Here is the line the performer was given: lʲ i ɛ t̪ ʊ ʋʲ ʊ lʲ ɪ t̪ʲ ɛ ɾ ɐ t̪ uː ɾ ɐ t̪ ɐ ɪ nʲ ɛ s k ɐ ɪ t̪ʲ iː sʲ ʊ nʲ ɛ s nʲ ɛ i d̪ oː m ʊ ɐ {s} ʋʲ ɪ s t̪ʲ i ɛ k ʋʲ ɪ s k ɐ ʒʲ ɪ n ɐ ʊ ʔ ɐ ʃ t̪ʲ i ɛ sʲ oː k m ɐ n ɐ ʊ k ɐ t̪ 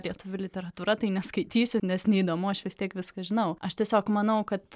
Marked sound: incorrect: ʃ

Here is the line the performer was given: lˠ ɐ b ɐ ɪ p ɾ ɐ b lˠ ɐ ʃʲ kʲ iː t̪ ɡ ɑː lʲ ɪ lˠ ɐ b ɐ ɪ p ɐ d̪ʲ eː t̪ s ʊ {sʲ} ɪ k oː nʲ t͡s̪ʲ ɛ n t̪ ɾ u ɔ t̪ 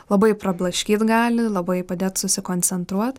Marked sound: correct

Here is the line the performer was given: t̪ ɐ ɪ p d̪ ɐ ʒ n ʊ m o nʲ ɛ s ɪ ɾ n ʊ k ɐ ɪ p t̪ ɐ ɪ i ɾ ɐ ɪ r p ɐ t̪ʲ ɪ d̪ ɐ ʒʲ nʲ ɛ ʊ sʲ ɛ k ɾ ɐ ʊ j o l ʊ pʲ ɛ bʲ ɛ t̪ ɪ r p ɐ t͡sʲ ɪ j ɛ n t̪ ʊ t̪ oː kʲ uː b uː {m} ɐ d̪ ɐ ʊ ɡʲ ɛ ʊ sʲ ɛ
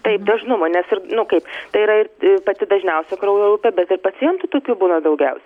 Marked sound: incorrect: n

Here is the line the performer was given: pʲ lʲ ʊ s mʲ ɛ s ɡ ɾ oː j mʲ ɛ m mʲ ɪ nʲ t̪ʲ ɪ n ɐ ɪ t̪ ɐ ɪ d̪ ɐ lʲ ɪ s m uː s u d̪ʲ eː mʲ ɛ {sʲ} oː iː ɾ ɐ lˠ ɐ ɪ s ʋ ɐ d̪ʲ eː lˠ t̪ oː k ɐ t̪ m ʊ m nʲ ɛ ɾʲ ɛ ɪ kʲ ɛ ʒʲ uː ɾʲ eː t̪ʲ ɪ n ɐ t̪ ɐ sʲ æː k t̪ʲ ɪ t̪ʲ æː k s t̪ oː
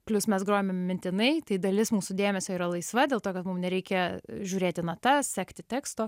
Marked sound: correct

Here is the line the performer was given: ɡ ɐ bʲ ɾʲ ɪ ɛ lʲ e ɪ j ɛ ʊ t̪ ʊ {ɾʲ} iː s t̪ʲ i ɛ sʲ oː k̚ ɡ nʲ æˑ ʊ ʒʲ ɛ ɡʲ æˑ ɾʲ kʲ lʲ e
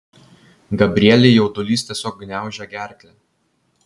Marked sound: incorrect: lʲ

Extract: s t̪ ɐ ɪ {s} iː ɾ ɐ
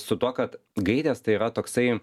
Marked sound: incorrect: none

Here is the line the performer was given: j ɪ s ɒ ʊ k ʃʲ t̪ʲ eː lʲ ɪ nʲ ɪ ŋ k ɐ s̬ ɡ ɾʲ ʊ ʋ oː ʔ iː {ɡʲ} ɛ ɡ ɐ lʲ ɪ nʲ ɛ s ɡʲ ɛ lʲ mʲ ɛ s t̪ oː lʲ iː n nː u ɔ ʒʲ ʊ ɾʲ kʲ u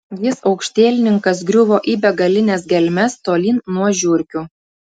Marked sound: incorrect: bʲ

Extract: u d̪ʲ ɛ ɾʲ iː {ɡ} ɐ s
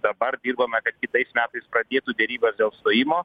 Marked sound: incorrect: b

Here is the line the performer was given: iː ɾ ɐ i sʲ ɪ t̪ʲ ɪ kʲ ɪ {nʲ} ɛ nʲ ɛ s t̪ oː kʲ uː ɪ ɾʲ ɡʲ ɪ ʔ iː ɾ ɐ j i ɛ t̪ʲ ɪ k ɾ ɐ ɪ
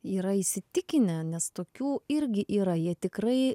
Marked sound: correct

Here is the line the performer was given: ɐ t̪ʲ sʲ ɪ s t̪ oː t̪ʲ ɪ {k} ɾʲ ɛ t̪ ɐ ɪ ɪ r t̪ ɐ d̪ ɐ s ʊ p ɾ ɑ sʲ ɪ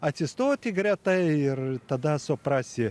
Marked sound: incorrect: ɡ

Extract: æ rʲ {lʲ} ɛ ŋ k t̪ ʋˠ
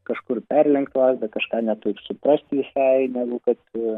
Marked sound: correct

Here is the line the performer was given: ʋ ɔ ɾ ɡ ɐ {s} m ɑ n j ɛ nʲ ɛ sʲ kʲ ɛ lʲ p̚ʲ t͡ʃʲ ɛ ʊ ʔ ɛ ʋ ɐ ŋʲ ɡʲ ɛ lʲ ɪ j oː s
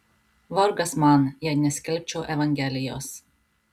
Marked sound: correct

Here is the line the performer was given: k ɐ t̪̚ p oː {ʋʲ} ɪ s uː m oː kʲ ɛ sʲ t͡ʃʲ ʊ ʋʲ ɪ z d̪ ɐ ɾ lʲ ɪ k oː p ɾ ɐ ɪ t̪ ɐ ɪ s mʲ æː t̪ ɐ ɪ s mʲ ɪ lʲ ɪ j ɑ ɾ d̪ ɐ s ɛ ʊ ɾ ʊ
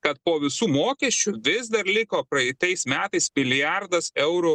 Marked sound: correct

